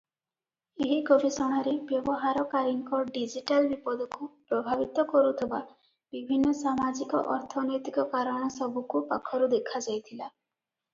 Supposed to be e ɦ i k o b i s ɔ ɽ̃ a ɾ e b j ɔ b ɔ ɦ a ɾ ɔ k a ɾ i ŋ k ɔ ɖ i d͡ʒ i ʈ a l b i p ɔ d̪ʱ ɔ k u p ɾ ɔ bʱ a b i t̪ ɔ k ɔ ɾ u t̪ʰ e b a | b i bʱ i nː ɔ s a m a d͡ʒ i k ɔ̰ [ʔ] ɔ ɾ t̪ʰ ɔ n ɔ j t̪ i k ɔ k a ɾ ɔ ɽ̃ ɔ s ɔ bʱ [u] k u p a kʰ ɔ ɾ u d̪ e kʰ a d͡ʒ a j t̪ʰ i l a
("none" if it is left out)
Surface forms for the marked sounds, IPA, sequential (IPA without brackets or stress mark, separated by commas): ʔ, u